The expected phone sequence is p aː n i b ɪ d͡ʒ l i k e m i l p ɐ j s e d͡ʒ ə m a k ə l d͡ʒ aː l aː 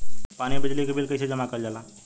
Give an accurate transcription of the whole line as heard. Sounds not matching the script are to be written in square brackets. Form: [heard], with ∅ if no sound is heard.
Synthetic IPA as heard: p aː n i b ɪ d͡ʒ l i k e [b] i l [k] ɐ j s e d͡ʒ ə m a k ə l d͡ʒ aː l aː